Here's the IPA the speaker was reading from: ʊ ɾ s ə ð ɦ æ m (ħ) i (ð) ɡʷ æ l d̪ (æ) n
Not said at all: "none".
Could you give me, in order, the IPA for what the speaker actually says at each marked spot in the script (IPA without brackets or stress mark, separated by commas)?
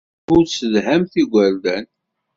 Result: θ, none, æ